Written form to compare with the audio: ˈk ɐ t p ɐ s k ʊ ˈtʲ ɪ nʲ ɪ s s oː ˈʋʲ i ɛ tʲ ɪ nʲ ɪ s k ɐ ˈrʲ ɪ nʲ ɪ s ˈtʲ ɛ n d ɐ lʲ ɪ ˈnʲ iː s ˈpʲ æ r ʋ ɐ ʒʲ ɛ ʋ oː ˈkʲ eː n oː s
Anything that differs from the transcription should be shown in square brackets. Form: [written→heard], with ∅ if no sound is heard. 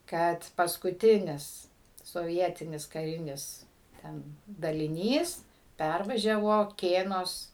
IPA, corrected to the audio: ˈk ɐ t p ɐ s k ʊ ˈtʲ ɪ nʲ ɪ s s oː ˈʋʲ i ɛ tʲ ɪ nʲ ɪ s k ɐ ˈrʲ ɪ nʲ ɪ s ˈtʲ ɛ n d ɐ lʲ ɪ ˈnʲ iː s ˈpʲ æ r ʋ ɐ ʒʲ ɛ ʋ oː ˈkʲ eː n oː s

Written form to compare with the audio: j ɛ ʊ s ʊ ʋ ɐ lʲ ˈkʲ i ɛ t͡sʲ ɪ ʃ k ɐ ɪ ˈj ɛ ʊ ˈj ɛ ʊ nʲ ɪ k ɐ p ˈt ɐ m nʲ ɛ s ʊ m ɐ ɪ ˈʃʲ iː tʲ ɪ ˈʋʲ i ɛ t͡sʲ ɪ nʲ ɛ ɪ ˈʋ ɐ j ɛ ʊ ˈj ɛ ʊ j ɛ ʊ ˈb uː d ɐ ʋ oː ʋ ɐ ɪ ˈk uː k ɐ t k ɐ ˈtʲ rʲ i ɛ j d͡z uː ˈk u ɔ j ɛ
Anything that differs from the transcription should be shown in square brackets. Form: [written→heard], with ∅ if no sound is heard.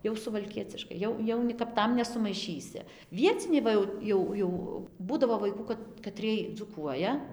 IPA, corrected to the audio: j ɛ ʊ s ʊ ʋ ɐ lʲ ˈkʲ i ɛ t͡sʲ ɪ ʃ k ɐ ɪ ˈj ɛ ʊ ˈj ɛ ʊ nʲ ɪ k ɐ p ˈt ɐ m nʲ ɛ s ʊ m ɐ ɪ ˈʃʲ iː [tʲ→sʲ] ɪ ˈʋʲ i ɛ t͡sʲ ɪ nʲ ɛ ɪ ˈʋ ɐ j ɛ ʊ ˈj ɛ ʊ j ɛ ʊ ˈb uː d ɐ ʋ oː ʋ ɐ ɪ ˈk uː k ɐ t k ɐ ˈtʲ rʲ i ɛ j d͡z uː ˈk u ɔ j ɛ

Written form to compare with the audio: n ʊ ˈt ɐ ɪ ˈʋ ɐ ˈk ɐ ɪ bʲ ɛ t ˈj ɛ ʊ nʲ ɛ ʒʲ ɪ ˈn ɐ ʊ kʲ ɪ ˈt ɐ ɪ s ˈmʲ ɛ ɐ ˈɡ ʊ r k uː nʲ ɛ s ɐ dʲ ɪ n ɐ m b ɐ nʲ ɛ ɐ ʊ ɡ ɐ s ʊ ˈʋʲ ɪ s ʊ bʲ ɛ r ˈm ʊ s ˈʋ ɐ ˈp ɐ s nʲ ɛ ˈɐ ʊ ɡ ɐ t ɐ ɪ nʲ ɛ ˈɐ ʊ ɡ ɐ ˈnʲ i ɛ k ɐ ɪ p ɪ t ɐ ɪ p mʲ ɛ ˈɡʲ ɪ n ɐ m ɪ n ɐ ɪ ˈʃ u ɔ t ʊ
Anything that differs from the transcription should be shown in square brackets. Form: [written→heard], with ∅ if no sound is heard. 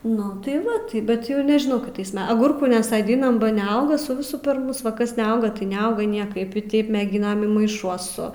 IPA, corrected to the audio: n ʊ ˈt ɐ ɪ ˈʋ ɐ [ˈk→ˈt] ɐ ɪ bʲ ɛ t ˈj ɛ ʊ nʲ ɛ ʒʲ ɪ ˈn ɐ ʊ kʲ ɪ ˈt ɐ ɪ s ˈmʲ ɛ ɐ ˈɡ ʊ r k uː nʲ ɛ s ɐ dʲ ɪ n ɐ m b ɐ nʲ ɛ ɐ ʊ ɡ ɐ s ʊ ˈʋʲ ɪ s ʊ [bʲ→pʲ] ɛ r ˈm ʊ s ˈʋ ɐ [ˈp→ˈk] ɐ s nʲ ɛ ˈɐ ʊ ɡ ɐ t ɐ ɪ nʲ ɛ ˈɐ ʊ ɡ ɐ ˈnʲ i ɛ k ɐ ɪ p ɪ t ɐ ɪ p mʲ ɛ ˈɡʲ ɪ n ɐ m ɪ [n→m] ɐ ɪ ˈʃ u ɔ [t→s] ʊ

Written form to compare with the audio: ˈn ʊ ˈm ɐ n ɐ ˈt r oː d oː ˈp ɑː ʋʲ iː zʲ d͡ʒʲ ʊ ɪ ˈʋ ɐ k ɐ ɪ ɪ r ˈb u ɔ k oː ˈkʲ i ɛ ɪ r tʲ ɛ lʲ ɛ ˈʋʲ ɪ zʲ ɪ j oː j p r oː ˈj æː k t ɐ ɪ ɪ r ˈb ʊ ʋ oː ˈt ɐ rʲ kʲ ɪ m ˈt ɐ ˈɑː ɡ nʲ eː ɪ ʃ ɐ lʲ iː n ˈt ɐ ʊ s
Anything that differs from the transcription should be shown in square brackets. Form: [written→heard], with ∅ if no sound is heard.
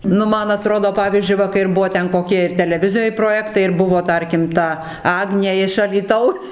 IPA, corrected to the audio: ˈn ʊ ˈm ɐ n ɐ ˈt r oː d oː ˈp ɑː ʋʲ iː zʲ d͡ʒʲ ʊ ɪ ˈʋ ɐ k ɐ ɪ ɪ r ˈb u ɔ k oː ˈkʲ i ɛ ɪ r tʲ ɛ lʲ ɛ ˈʋʲ ɪ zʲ ɪ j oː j p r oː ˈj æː k t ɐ ɪ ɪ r ˈb ʊ ʋ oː ˈt ɐ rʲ kʲ ɪ m ˈt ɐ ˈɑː ɡ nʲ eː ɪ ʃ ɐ lʲ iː [n→∅] ˈt ɐ ʊ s

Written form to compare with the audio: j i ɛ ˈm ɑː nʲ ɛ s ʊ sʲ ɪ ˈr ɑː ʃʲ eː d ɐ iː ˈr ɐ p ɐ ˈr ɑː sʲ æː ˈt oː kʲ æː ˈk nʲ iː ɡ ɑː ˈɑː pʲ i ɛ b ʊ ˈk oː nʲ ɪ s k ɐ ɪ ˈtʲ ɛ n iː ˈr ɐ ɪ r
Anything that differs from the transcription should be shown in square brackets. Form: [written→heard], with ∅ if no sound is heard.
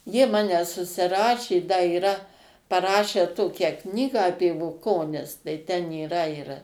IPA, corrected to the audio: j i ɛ ˈm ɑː nʲ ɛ s ʊ sʲ ɪ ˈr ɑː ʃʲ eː d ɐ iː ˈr ɐ p ɐ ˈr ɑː [sʲ→ʃʲ] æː ˈt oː kʲ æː ˈk nʲ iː ɡ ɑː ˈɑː pʲ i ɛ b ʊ ˈk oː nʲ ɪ s [k→t] ɐ ɪ ˈtʲ ɛ n iː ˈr ɐ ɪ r

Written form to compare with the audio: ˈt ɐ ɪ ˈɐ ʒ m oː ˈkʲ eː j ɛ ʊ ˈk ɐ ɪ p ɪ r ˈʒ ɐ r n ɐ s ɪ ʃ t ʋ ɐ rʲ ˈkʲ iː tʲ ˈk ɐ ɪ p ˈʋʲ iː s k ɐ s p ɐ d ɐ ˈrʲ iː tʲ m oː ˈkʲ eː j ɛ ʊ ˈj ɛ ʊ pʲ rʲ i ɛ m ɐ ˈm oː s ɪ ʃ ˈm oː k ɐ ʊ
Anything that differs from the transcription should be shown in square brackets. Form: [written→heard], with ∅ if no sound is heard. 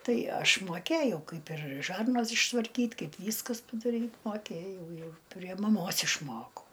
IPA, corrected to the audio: ˈt ɐ ɪ ˈɐ [ʒ→ʃ] m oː ˈkʲ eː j ɛ ʊ ˈk ɐ ɪ p ɪ r ˈʒ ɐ r n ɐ s ɪ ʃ t ʋ ɐ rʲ ˈkʲ iː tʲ ˈk ɐ ɪ p ˈʋʲ iː s k ɐ s p ɐ d ɐ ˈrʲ iː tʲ m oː ˈkʲ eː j ɛ ʊ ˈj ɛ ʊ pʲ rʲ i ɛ m ɐ ˈm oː s ɪ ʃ ˈm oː k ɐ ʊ

